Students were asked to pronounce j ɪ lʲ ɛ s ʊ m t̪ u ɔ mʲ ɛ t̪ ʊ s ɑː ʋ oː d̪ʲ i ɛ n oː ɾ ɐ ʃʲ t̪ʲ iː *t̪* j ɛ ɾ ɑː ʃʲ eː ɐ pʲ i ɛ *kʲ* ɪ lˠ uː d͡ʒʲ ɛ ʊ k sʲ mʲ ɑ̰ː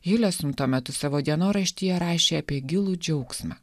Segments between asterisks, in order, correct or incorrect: incorrect, incorrect

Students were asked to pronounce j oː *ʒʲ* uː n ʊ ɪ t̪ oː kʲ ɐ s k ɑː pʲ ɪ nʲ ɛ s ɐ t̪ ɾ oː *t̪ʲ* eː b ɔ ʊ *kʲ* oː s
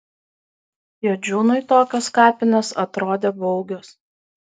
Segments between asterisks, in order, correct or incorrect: incorrect, incorrect, incorrect

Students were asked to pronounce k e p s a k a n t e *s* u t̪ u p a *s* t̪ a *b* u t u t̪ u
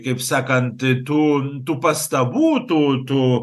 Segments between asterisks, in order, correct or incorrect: incorrect, correct, correct

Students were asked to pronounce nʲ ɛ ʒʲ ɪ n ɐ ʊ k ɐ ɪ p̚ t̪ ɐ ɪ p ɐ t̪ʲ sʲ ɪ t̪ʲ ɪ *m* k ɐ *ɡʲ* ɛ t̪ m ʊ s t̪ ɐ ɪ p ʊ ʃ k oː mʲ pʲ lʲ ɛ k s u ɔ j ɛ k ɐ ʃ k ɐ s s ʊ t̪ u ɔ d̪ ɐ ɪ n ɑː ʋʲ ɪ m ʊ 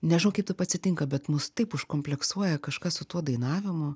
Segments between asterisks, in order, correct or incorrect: incorrect, incorrect

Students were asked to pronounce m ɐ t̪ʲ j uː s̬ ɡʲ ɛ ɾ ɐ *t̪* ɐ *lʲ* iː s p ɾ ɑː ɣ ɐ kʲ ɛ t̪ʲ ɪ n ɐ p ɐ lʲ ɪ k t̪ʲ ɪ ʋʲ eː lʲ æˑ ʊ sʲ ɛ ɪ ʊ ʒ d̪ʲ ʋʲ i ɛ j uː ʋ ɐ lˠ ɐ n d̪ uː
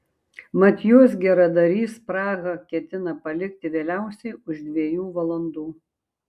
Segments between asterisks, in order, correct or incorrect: incorrect, incorrect

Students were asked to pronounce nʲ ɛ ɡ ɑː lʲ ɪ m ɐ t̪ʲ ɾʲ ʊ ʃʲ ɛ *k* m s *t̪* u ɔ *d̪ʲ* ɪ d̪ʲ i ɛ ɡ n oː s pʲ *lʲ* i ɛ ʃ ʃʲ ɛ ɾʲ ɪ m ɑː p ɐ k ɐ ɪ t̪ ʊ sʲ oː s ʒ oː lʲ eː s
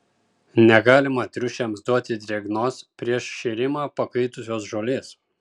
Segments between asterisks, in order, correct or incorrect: incorrect, incorrect, incorrect, incorrect

